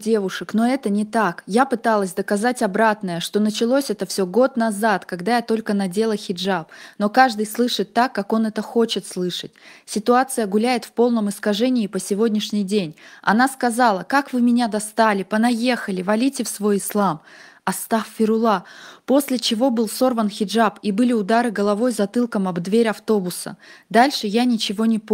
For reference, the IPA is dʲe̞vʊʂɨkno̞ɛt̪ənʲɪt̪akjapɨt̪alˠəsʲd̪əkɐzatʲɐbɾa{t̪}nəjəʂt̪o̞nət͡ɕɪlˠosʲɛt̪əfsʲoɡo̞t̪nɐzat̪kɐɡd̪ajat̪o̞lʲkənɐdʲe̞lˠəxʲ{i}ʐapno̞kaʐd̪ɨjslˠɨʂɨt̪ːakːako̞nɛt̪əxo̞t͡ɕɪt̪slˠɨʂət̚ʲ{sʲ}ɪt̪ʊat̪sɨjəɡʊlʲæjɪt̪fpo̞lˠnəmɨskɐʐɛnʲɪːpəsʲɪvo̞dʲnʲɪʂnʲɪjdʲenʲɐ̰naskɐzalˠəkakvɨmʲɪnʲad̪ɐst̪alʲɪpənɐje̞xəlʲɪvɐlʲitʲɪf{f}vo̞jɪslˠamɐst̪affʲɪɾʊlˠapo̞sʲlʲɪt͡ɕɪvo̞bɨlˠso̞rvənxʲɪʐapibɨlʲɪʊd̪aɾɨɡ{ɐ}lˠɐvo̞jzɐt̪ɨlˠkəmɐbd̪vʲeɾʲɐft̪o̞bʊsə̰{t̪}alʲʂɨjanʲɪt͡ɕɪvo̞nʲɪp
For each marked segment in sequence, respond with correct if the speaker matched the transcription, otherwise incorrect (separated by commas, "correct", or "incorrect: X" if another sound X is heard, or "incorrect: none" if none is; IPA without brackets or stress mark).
correct, incorrect: ɪ, correct, incorrect: s, incorrect: ə, incorrect: d̪